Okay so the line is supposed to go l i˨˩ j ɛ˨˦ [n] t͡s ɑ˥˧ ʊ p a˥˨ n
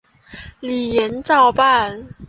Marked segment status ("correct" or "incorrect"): correct